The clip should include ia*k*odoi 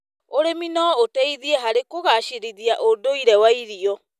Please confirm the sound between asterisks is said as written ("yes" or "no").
no